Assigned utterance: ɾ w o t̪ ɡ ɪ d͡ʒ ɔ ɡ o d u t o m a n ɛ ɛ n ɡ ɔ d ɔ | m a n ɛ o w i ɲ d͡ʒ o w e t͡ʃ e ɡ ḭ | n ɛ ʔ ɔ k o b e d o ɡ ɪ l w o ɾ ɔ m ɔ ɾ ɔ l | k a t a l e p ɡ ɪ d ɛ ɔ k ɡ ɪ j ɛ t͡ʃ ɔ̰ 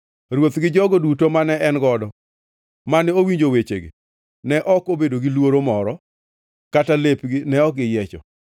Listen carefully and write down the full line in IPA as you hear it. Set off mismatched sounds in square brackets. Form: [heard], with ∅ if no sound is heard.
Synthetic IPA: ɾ w o t̪ ɡ ɪ d͡ʒ ɔ ɡ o d u t o m a n ɛ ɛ n ɡ ɔ d ɔ | m a n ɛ o w i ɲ d͡ʒ o w e t͡ʃ e ɡ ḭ | n ɛ ʔ ɔ k o b e d o ɡ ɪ l w o ɾ [o] m ɔ ɾ ɔ [∅] | k a t a l e p ɡ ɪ [n] ɛ ɔ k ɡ ɪ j ɛ t͡ʃ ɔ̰